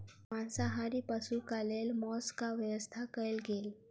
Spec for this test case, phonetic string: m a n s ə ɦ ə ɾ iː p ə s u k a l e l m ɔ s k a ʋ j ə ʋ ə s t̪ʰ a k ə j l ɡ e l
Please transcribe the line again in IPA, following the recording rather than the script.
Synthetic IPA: m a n s a ɦ a ɾ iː p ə s u k a l e l m ɔ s k a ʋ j ə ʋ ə s t̪ʰ a k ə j l ɡ e l